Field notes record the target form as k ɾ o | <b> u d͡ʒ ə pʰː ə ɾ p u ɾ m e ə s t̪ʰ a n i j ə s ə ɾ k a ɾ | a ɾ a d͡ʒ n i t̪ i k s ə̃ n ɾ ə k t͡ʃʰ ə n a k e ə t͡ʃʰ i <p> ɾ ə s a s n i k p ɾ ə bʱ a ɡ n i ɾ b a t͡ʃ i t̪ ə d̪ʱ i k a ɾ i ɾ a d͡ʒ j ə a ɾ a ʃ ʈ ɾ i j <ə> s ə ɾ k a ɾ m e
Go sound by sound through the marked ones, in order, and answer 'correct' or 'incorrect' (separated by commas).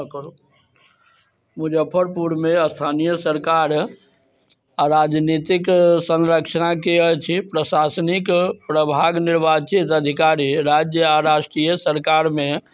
incorrect, correct, correct